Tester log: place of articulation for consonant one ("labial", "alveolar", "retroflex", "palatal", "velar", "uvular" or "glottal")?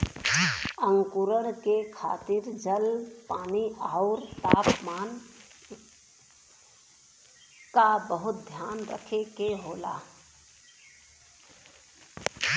velar